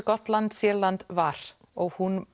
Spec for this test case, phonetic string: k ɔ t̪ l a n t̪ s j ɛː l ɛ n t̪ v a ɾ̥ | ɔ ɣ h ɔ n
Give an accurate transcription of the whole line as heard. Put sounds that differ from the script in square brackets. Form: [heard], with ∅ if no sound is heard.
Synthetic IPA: k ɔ t̪ l a n t̪ s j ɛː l [a] n t̪ v a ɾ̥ | ɔ ɣ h [u] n